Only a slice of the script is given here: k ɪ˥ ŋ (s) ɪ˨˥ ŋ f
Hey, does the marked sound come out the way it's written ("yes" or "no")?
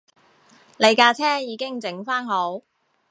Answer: no